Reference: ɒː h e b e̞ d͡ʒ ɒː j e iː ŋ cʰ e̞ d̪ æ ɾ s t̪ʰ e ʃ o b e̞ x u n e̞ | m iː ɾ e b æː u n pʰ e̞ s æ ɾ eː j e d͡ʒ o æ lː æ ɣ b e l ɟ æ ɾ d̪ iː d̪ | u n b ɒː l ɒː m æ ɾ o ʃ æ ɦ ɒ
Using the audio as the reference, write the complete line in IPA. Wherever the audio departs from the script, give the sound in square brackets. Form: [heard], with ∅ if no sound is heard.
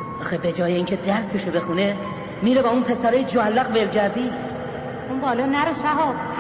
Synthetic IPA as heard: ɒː [x] e b e̞ d͡ʒ ɒː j e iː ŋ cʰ e̞ d̪ æ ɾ s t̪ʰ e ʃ o b e̞ x u n e̞ | m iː ɾ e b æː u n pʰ e̞ s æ ɾ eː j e d͡ʒ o æ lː æ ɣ b e l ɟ æ ɾ d̪ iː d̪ | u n b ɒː l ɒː [n] æ ɾ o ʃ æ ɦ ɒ